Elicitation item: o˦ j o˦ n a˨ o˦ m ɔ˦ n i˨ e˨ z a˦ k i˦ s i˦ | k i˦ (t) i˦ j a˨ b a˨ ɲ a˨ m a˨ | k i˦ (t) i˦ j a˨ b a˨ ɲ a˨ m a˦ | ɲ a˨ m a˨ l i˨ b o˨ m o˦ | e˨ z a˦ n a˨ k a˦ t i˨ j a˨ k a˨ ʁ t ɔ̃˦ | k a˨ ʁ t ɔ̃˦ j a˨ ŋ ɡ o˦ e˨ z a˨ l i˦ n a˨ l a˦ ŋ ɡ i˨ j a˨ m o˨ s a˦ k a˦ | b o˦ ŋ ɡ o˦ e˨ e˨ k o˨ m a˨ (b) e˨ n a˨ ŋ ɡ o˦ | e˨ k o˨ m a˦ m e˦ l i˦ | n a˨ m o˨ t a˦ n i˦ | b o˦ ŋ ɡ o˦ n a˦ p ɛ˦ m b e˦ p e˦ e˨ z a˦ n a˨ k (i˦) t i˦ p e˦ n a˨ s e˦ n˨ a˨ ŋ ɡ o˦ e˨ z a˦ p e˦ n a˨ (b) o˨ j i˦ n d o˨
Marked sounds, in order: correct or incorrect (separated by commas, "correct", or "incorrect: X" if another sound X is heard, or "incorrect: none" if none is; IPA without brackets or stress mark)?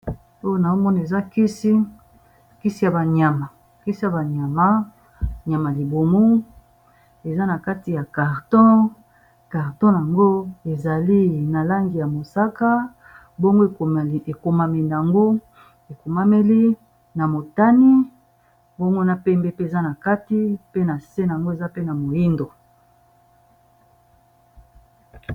incorrect: s, incorrect: s, incorrect: m, incorrect: a˦, incorrect: m